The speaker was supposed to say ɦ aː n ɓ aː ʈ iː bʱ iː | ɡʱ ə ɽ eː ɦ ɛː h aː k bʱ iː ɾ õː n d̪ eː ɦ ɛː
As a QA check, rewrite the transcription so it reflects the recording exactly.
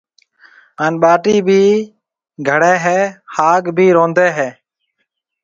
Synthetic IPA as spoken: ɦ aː n ɓ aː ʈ iː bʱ iː | ɡʱ ə ɽ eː ɦ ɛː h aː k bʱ iː ɾ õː n d̪ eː ɦ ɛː